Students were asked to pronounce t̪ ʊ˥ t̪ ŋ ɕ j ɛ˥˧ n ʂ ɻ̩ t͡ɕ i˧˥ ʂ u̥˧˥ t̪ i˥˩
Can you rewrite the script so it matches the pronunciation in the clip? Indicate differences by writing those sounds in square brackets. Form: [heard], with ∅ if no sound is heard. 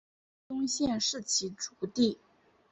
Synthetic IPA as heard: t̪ ʊ˥ [∅] ŋ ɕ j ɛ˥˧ n ʂ ɻ̩ [t͡ɕʰ] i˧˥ [ʈ͡ʂ] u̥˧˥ t̪ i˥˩